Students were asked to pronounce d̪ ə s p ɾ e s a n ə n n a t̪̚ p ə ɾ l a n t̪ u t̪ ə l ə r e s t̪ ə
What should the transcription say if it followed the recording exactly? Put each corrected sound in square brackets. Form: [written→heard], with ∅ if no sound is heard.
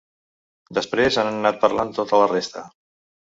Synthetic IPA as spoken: d̪ ə s p ɾ e [s→z] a n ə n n a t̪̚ p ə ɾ l a n t̪ [u→o] t̪ ə l ə r e s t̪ ə